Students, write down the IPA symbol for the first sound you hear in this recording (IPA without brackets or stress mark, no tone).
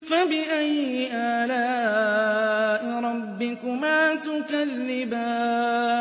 f